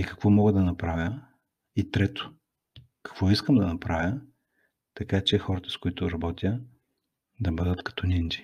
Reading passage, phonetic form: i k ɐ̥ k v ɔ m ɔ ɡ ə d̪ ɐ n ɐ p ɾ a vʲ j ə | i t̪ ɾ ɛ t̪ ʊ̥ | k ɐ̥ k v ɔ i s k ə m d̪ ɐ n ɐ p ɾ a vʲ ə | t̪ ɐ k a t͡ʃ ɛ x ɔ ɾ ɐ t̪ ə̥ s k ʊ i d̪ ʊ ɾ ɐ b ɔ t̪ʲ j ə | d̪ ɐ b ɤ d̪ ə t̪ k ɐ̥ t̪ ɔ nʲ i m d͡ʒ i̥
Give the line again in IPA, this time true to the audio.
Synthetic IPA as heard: i k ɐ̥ k v ɔ m ɔ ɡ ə d̪ ɐ n ɐ p ɾ a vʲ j ə | i t̪ ɾ ɛ t̪ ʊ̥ | k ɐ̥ k v ɔ i s k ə m d̪ ɐ n ɐ p ɾ a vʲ ə | t̪ ɐ k a t͡ʃ ɛ x ɔ ɾ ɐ t̪ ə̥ s k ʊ i t̪ ʊ ɾ ɐ b ɔ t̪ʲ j ə | d̪ ɐ b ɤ d̪ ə t̪ k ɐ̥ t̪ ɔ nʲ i n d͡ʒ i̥